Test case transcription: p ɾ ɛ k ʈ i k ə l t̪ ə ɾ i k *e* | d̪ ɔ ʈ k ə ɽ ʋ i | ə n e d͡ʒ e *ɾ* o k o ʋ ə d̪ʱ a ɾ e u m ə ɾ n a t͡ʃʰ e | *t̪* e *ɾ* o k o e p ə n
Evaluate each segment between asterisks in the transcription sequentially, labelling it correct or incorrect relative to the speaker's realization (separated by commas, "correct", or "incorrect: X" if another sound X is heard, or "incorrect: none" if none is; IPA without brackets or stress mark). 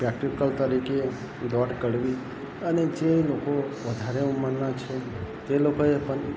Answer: correct, incorrect: l, correct, incorrect: l